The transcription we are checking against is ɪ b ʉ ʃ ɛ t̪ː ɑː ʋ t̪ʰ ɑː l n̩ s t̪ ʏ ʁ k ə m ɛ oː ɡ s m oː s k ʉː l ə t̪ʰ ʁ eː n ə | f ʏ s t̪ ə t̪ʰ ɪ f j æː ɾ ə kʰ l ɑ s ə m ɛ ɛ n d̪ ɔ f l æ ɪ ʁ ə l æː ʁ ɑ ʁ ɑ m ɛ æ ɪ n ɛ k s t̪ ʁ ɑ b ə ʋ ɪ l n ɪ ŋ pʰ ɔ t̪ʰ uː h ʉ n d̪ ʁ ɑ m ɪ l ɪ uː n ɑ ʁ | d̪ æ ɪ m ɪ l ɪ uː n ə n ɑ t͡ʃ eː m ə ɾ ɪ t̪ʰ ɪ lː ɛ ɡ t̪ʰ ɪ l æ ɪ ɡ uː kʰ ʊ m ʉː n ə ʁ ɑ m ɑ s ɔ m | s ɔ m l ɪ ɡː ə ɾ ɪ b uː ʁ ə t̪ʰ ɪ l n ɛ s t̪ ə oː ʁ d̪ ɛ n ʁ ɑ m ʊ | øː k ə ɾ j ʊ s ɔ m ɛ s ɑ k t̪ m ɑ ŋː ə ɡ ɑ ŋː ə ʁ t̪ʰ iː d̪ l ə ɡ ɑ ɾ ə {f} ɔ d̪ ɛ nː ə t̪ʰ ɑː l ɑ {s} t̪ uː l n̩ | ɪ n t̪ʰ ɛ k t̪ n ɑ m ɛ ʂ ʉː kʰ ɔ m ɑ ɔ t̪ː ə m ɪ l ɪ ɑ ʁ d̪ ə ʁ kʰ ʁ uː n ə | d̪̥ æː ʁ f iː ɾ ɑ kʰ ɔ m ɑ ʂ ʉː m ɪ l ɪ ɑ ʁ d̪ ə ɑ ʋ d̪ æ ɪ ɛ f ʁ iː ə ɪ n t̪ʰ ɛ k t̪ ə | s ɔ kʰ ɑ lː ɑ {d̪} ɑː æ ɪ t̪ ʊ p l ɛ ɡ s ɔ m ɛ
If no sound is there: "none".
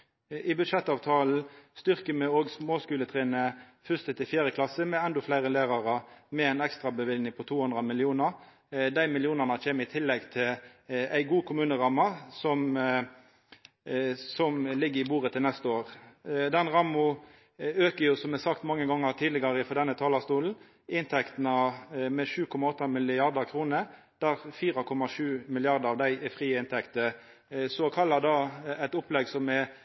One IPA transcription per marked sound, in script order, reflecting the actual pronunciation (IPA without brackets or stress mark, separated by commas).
f, s, d̪